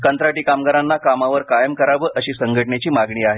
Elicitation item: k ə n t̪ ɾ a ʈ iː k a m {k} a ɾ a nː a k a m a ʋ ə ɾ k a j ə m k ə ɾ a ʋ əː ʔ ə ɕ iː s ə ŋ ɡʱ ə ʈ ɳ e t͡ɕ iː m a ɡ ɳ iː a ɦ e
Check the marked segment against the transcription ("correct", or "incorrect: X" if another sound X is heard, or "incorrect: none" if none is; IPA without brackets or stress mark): incorrect: ɡ